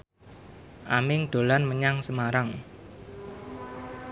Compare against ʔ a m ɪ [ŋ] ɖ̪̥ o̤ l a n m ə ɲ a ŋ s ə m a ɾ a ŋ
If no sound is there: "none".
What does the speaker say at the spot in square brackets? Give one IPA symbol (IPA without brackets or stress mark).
ŋ